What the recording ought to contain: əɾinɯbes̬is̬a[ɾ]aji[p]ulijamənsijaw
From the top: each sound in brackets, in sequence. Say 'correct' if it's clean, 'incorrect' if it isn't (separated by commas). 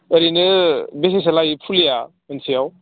incorrect, incorrect